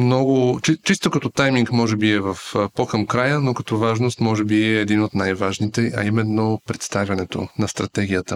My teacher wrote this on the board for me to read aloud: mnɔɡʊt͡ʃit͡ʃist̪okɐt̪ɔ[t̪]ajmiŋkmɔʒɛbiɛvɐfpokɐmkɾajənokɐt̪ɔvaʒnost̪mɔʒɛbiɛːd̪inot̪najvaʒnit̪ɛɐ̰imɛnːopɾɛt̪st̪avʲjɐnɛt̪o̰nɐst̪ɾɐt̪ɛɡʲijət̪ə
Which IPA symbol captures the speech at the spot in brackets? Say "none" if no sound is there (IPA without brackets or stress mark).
t̪